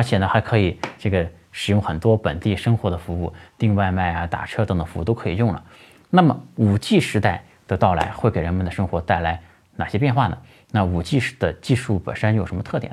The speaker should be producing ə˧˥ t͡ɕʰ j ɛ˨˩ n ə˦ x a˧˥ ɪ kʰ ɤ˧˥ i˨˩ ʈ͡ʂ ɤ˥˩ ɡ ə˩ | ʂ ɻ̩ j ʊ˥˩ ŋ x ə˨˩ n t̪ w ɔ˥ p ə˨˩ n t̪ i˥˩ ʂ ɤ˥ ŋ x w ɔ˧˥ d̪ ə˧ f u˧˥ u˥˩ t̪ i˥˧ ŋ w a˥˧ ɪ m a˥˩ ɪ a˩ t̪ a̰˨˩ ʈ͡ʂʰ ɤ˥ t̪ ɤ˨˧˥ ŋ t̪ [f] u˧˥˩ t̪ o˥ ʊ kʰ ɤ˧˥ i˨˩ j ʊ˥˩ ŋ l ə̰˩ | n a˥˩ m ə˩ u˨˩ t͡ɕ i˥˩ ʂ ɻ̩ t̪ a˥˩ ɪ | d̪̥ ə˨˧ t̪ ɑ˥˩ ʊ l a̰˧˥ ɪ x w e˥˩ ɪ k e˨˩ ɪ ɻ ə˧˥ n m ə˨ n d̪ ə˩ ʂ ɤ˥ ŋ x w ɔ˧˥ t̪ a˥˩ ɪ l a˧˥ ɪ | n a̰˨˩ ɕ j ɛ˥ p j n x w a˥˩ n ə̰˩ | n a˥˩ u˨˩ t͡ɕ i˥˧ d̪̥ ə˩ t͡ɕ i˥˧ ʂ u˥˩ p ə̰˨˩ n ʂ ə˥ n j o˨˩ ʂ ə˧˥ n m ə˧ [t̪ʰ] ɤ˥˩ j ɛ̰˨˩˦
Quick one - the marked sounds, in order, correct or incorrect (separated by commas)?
correct, correct